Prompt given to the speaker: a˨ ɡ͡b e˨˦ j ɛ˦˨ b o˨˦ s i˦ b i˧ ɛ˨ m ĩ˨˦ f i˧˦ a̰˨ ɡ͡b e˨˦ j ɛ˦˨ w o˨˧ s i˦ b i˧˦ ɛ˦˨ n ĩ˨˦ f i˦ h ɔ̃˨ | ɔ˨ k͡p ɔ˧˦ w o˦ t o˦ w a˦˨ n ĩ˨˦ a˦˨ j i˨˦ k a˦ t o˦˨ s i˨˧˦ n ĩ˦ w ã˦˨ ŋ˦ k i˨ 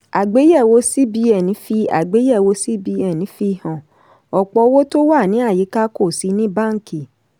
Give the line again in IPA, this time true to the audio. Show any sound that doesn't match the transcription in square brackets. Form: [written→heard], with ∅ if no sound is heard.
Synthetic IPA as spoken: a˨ ɡ͡b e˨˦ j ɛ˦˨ [b→w] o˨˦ s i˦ b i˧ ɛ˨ [m→n] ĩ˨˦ f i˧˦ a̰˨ ɡ͡b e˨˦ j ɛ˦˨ w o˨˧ s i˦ b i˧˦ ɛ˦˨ n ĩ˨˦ f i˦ h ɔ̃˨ | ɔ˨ k͡p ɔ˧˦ w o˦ t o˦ w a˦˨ n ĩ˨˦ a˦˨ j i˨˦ k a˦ [t→k] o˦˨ s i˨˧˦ n ĩ˦ [w→b] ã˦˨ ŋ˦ k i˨